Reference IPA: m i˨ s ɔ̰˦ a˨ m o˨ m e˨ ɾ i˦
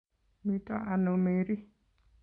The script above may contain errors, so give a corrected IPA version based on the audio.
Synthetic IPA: m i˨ t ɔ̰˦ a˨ n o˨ m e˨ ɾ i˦